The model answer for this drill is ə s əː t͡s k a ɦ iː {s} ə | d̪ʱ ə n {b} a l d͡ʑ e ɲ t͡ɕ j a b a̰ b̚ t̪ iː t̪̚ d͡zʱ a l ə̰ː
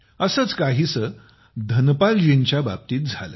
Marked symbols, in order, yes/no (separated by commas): yes, no